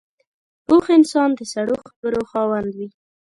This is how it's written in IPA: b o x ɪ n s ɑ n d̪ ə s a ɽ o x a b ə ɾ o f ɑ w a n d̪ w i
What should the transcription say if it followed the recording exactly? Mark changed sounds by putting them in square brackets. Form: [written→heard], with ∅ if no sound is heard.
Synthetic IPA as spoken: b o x ɪ n s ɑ n d̪ ə s a ɽ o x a b ə ɾ o [f→x] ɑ w a n d̪ w i